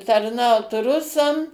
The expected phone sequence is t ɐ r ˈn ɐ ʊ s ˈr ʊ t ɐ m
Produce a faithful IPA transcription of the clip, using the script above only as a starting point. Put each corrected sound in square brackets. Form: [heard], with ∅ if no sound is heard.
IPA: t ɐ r ˈn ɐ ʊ [t] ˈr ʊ [s] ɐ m